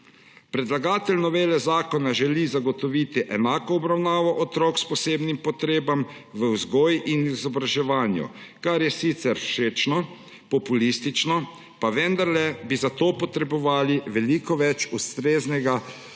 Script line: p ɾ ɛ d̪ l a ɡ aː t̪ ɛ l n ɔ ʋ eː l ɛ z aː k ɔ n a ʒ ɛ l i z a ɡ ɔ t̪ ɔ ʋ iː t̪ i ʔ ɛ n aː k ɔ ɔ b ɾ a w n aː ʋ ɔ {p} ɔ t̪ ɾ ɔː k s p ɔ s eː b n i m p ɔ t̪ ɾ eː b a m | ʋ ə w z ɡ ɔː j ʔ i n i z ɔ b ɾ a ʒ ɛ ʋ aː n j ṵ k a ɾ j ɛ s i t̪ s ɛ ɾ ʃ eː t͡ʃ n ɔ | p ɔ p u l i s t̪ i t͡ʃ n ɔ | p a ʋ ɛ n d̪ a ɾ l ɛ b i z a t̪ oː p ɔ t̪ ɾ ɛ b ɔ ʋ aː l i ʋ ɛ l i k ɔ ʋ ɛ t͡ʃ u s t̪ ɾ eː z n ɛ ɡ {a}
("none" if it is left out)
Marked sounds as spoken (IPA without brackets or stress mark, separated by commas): ʔ, a